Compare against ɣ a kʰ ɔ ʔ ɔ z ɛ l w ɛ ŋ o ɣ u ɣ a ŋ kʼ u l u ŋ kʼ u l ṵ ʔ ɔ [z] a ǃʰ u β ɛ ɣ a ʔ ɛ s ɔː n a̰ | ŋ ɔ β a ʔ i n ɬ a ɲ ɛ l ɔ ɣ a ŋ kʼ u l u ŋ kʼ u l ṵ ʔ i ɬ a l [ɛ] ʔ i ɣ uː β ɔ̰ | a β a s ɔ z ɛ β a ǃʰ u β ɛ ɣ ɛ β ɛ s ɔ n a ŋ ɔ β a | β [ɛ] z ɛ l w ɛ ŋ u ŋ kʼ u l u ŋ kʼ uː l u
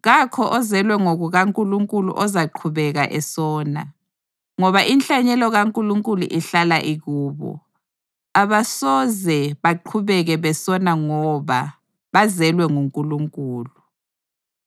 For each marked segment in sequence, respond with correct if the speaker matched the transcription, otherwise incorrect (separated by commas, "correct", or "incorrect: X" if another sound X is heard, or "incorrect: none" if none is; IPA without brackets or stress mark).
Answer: correct, incorrect: a, incorrect: a